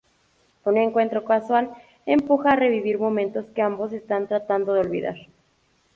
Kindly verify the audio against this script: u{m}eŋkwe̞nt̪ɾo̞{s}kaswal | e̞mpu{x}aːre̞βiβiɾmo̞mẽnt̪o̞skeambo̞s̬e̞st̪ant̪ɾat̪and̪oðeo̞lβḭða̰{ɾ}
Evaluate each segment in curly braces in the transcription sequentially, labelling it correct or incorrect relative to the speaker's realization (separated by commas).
incorrect, incorrect, correct, correct